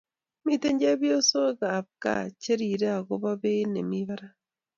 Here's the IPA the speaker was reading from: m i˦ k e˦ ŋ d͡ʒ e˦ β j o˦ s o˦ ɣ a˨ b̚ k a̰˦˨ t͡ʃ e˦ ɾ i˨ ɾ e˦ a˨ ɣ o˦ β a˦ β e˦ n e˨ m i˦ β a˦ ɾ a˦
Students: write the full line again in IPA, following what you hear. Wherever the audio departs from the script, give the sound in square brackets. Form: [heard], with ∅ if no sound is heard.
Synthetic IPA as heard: m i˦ [t] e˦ [ɲ] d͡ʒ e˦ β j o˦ s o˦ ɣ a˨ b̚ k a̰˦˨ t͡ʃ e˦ ɾ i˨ ɾ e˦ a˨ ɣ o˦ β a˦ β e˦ n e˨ m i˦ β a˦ ɾ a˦

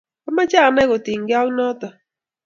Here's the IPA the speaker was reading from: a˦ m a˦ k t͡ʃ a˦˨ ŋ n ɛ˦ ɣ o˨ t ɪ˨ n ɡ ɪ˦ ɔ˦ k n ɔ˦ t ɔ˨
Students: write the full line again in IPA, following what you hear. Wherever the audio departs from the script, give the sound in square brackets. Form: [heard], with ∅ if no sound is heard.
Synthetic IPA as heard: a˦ m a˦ [∅] t͡ʃ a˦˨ [∅] n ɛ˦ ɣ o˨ t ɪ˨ [ŋ] ɡ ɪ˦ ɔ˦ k n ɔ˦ t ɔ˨

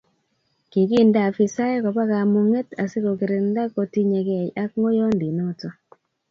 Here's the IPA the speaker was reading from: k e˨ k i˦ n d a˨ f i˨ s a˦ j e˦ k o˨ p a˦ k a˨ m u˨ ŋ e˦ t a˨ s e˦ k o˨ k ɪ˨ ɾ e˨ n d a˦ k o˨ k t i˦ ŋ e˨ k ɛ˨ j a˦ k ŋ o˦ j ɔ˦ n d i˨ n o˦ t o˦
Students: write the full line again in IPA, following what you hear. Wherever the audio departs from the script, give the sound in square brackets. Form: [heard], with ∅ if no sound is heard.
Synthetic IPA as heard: k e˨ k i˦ n d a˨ f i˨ s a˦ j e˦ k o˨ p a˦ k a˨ m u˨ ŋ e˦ t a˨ s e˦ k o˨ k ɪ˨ ɾ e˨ n d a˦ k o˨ [∅] t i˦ [ɲ] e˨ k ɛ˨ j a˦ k ŋ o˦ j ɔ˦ n d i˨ n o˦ t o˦

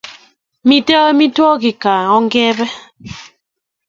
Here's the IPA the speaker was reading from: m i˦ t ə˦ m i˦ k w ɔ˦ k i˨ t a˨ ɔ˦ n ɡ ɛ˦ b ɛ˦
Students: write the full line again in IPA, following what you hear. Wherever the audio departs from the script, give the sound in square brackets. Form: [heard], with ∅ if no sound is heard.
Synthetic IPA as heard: m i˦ t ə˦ m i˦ [t] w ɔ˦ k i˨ [k] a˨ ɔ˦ [ŋ] ɡ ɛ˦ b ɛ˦

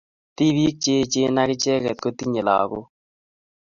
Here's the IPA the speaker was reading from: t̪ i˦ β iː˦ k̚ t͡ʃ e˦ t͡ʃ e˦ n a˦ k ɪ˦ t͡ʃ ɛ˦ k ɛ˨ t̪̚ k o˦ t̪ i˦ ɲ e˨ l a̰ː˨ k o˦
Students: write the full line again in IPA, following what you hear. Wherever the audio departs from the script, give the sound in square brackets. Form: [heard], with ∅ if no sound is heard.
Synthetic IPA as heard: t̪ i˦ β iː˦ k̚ t͡ʃ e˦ t͡ʃ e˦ n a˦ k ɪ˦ t͡ʃ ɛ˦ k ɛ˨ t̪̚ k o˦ t̪ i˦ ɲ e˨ l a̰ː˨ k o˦

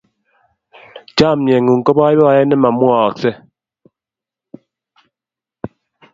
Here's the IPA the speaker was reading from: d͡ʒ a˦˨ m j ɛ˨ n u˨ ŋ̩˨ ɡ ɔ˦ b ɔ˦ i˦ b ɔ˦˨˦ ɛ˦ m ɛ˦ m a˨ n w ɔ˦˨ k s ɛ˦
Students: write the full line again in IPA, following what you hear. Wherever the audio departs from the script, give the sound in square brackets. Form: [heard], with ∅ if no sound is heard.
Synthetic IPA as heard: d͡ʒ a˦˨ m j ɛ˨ [ŋ] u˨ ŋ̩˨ [k] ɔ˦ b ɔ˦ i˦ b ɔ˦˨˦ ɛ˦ [n] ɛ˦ m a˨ [m] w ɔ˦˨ k s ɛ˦

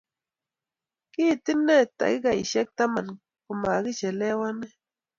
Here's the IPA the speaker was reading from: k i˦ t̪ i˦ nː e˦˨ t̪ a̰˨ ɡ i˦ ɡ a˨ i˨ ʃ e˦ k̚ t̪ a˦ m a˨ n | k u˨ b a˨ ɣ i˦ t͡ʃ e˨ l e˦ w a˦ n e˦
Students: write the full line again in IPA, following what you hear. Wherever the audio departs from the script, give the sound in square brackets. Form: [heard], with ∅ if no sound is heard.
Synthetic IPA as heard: k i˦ t̪ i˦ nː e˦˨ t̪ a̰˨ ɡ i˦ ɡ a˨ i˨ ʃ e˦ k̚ t̪ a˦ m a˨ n | k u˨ [m] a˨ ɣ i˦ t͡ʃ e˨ l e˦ w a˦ n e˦

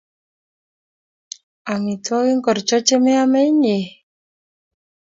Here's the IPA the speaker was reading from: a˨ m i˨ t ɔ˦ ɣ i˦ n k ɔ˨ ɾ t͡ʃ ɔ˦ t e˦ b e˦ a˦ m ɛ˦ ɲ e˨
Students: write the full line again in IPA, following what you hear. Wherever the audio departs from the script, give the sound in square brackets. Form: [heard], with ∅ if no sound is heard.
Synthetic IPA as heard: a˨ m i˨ t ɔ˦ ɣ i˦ [ŋ] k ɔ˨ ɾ t͡ʃ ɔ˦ [t͡ʃ] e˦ [m] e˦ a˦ m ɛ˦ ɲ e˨

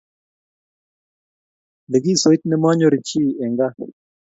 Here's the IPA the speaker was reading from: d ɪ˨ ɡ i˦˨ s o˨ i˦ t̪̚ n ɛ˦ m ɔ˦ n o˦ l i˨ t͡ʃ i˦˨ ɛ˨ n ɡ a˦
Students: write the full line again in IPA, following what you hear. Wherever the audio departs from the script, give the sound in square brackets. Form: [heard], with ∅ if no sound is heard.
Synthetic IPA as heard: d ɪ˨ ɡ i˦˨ s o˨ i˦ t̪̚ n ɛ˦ m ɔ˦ [ɲ] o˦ [ɾ] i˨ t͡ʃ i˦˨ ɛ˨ [ŋ] ɡ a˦

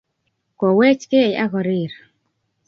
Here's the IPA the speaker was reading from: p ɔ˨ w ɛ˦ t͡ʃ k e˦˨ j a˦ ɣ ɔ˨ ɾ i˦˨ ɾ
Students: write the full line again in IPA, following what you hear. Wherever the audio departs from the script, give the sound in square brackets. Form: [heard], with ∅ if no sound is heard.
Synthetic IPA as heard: [k] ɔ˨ w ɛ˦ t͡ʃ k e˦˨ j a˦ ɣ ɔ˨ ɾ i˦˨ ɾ

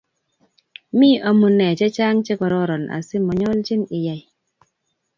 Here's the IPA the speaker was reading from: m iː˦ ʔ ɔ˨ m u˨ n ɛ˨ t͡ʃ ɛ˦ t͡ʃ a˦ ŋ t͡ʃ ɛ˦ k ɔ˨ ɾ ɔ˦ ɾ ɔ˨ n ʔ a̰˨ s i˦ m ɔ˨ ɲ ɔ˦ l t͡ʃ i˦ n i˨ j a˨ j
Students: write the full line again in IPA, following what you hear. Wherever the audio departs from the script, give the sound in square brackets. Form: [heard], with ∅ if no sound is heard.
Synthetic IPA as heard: m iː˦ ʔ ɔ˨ m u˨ n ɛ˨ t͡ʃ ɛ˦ t͡ʃ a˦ ŋ t͡ʃ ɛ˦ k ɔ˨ ɾ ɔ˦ ɾ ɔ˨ n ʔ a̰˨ s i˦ m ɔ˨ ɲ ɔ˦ l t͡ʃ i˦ n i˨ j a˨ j

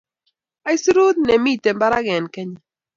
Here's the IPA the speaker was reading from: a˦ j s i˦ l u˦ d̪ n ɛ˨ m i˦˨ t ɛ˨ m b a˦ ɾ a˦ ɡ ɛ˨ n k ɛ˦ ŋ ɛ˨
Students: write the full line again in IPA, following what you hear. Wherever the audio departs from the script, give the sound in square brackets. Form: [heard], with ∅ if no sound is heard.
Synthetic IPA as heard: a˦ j s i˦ [ɾ] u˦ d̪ n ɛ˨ m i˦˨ t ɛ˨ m b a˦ ɾ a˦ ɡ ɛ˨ n k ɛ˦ [ɲ] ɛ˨

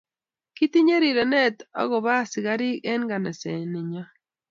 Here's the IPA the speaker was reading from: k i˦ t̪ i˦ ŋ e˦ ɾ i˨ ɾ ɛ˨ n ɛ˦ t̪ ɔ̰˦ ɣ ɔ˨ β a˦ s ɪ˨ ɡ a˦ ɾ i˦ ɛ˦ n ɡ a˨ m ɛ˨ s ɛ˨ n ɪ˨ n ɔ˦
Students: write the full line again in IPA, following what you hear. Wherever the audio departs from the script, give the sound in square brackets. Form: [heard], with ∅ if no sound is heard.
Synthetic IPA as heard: k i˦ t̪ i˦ [ɲ] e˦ ɾ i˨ ɾ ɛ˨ n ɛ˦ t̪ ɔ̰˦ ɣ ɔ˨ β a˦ s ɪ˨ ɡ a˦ ɾ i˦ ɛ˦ n ɡ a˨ [n] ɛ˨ s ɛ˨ n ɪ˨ [ɲ] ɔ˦

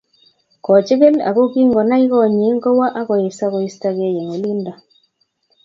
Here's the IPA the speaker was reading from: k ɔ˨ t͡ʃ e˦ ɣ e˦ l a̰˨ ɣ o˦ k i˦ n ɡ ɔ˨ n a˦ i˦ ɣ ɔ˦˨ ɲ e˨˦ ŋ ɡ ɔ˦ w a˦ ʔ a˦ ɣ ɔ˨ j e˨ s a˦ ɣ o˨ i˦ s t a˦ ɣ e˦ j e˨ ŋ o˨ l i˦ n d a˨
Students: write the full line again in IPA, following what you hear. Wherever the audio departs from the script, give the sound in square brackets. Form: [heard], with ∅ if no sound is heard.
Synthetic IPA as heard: k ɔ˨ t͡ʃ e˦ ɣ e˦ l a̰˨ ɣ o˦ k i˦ [ŋ] ɡ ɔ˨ n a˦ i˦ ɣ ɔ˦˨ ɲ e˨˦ ŋ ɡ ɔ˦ w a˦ ʔ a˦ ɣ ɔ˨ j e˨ s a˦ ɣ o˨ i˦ s t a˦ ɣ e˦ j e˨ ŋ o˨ l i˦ n d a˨

